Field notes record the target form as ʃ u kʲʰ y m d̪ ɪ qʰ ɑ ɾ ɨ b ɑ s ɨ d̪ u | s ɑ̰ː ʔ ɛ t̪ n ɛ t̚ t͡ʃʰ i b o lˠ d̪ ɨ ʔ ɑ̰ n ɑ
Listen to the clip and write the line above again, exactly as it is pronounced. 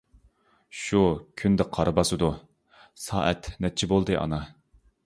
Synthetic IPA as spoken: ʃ u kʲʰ y n d̪ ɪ qʰ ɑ ɾ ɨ b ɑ s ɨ d̪ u | s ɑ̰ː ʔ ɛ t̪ n ɛ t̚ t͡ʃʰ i b o lˠ d̪ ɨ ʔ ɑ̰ n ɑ